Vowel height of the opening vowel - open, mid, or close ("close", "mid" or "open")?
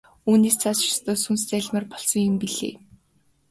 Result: close